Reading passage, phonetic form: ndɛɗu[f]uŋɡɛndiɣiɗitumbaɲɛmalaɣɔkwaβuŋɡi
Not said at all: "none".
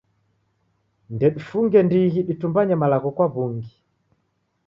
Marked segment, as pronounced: f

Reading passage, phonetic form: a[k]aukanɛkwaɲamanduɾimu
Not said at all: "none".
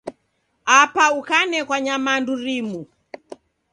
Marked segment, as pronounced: p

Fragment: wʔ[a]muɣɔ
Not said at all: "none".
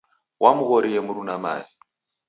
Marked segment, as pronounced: a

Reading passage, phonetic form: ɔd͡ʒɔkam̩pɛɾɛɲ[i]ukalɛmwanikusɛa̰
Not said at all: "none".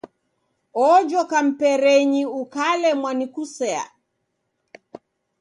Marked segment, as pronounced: i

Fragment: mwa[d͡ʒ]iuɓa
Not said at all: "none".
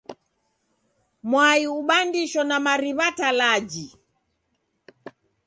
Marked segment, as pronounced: none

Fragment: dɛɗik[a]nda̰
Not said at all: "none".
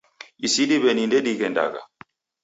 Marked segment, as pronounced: ɛ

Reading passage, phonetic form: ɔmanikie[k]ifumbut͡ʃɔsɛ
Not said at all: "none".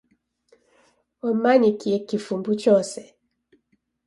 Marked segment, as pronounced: k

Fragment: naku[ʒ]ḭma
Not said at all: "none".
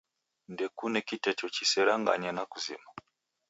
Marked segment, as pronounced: z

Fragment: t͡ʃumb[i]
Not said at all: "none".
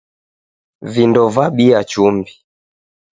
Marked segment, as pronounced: i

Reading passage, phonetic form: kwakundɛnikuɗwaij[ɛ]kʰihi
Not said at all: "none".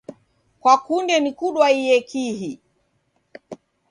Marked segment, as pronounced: ɛ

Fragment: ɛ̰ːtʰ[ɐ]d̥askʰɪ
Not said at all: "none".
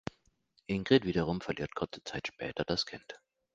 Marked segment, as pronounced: ɐ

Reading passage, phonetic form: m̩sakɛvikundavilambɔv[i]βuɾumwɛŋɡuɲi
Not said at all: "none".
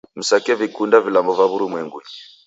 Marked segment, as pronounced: a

